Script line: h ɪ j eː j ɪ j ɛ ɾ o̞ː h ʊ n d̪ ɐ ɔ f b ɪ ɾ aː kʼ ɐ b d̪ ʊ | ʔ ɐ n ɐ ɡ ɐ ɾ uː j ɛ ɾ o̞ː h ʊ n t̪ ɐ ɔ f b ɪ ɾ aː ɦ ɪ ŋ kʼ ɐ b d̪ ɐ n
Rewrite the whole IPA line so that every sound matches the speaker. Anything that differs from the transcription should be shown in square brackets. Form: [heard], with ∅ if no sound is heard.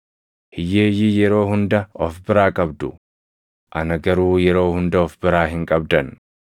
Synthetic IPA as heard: h ɪ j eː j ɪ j ɛ ɾ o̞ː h ʊ n d̪ ɐ ɔ f b ɪ ɾ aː kʼ ɐ b d̪ ʊ | ʔ ɐ n ɐ ɡ ɐ ɾ uː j ɛ ɾ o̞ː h ʊ n [d̪] ɐ ɔ f b ɪ ɾ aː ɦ ɪ ŋ kʼ ɐ b d̪ ɐ n